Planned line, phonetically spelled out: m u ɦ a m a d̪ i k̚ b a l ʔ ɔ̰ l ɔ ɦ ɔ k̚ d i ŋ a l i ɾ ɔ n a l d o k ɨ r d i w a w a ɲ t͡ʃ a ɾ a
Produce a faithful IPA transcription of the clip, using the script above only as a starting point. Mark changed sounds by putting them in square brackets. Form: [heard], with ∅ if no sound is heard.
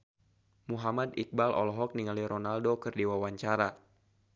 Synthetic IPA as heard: m u ɦ a m a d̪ i k̚ b a l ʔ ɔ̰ l ɔ ɦ ɔ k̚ [n] i ŋ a l i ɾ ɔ n a l d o k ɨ r d i w a w a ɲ t͡ʃ a ɾ a